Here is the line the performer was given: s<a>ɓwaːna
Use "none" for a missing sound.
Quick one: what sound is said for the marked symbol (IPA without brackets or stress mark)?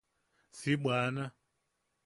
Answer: i